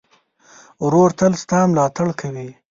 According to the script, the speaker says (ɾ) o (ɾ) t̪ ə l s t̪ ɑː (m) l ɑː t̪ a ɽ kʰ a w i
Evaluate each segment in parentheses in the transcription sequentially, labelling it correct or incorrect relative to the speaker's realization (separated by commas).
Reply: correct, correct, correct